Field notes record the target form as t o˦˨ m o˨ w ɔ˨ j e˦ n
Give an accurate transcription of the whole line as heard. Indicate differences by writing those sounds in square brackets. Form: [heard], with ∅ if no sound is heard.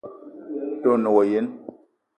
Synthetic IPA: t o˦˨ [n] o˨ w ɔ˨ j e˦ n